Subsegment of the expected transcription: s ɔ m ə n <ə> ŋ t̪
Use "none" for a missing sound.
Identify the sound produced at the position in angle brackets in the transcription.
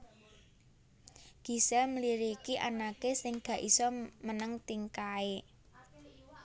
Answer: ə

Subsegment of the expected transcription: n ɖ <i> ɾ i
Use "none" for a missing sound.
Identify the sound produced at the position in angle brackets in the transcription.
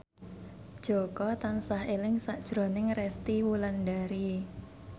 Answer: a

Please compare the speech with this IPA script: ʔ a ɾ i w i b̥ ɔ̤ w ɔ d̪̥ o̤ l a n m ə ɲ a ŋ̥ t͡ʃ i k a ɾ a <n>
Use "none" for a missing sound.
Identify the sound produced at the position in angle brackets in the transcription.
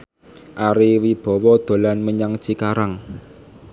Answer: ŋ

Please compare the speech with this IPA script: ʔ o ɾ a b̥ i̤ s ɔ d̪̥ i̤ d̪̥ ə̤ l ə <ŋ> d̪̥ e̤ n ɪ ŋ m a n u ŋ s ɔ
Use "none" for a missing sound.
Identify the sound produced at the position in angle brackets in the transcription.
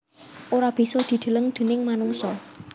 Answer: ŋ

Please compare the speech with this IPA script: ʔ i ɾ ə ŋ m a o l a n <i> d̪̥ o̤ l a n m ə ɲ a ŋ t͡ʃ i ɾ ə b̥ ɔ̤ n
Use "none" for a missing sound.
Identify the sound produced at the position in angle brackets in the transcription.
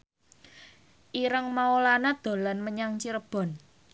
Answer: a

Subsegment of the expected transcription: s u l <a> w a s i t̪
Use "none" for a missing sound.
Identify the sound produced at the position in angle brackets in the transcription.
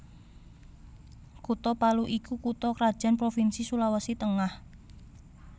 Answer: a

